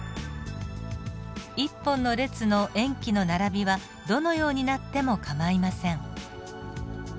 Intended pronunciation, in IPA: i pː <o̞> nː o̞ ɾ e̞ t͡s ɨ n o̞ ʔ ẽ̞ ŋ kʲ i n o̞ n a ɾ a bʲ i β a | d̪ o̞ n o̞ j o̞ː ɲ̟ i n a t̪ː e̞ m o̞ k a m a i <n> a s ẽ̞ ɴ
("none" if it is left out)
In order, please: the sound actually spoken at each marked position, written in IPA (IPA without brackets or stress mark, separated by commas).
õ̞, m